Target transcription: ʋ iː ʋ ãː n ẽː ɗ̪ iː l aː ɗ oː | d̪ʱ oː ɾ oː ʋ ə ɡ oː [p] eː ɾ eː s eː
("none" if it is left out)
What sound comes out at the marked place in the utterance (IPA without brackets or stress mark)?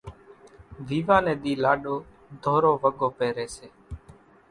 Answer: p